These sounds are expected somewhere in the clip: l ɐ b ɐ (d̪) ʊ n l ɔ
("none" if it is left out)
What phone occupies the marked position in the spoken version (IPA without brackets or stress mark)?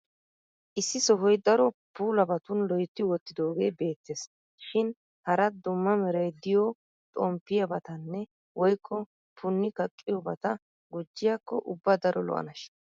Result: t̪